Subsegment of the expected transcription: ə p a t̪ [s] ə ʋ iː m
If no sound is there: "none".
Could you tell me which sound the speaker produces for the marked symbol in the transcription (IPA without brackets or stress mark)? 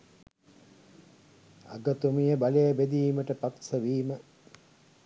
s